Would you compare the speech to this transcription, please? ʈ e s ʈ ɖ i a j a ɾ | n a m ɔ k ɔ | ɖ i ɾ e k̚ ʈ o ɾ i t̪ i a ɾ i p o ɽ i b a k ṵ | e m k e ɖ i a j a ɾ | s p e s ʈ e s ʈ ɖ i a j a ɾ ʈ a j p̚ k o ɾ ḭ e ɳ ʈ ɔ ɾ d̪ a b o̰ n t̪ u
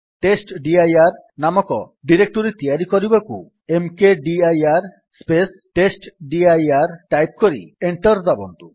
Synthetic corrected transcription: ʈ e s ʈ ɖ i a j a ɾ | n a m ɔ k ɔ | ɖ i ɾ e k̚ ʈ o ɾ i t̪ i a ɾ i k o ɾ i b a k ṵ | e m k e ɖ i a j a ɾ | s p e s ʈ e s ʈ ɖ i a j a ɾ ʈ a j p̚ k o ɾ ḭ e ɳ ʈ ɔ ɾ d̪ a b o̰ n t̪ u

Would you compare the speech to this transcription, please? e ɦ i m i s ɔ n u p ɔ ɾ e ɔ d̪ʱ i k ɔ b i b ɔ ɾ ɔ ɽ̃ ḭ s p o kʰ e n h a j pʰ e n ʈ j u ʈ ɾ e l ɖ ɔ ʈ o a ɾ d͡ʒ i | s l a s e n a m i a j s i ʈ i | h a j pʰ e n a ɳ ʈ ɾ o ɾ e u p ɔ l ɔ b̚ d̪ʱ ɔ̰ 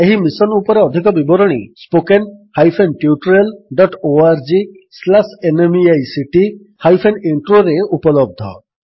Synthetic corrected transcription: e ɦ i m i s ɔ n u p ɔ ɾ e ɔ d̪ʱ i k ɔ b i b ɔ ɾ ɔ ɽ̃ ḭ s p o k e n h a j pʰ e n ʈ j u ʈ ɾ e l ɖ ɔ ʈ o a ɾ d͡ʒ i | s l a s e n e m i a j s i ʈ i | h a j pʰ e n i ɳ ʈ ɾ o ɾ e u p ɔ l ɔ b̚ d̪ʱ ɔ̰

